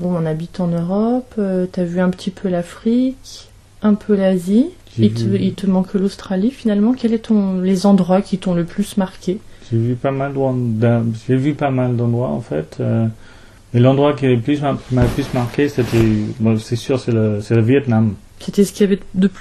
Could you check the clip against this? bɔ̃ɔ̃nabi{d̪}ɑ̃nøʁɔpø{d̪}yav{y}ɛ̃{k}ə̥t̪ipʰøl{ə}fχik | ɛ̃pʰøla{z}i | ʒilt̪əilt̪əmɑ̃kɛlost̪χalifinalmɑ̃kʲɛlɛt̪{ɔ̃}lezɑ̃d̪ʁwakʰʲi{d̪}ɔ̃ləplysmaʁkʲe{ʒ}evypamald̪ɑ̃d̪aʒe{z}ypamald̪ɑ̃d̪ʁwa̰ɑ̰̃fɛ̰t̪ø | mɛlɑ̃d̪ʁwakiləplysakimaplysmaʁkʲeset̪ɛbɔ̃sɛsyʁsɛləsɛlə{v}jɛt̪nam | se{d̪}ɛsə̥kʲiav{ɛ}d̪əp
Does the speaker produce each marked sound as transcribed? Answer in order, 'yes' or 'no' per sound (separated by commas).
no, no, yes, no, no, yes, yes, no, yes, no, yes, no, yes